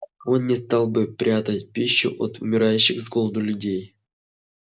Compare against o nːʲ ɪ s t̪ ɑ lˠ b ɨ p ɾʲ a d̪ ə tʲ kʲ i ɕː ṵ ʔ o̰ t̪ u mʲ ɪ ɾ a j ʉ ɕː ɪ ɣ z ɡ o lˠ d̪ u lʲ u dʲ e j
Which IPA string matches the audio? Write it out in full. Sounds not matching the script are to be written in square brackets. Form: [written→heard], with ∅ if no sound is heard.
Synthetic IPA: o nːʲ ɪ s t̪ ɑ lˠ b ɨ p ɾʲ a [d̪→t̪] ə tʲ [kʲ→pʲ] i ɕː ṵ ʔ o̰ t̪ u mʲ ɪ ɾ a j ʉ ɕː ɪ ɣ z ɡ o lˠ d̪ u lʲ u dʲ e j